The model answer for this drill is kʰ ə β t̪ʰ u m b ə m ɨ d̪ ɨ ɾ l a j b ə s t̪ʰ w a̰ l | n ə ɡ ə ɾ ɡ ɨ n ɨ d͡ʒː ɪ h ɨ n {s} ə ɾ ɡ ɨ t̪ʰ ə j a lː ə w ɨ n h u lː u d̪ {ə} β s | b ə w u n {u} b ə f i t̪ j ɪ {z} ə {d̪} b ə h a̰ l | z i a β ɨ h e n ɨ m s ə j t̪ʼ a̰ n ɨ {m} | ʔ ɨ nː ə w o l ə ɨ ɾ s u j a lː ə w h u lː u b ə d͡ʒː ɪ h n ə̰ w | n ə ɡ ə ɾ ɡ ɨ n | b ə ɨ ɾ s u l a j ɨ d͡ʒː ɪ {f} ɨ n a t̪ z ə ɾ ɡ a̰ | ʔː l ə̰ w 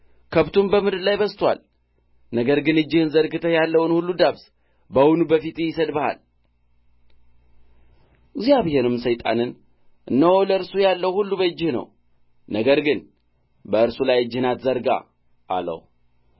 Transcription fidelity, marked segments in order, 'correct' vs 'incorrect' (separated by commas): incorrect, incorrect, correct, incorrect, correct, incorrect, incorrect